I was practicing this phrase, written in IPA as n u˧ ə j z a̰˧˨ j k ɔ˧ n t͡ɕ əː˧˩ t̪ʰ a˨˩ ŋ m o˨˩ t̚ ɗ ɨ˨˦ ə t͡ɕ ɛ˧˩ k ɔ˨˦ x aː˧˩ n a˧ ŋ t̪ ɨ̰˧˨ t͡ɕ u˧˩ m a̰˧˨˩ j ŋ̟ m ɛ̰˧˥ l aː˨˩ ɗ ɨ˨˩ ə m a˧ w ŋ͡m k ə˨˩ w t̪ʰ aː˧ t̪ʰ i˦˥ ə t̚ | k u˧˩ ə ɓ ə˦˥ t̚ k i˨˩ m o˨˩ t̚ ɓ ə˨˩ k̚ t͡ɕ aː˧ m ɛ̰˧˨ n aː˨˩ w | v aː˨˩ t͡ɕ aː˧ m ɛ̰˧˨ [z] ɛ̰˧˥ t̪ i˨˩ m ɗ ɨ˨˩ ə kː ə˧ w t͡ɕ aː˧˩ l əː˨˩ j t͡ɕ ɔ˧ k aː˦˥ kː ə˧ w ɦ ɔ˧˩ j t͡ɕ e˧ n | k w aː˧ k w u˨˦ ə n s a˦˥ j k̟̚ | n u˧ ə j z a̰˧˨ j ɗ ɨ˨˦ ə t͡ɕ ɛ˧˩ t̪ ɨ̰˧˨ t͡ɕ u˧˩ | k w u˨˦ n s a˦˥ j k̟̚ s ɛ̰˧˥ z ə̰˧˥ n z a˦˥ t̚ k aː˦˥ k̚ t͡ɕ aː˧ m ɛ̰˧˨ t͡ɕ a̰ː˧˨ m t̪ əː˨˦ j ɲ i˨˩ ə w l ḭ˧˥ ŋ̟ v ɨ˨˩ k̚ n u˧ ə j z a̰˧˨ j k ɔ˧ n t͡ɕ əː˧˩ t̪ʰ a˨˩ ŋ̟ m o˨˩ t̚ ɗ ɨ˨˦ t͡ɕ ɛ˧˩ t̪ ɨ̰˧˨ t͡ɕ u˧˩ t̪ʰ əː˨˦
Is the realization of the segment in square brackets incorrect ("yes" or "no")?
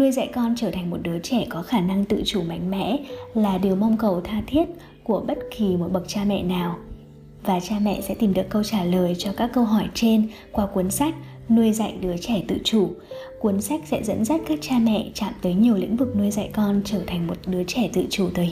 yes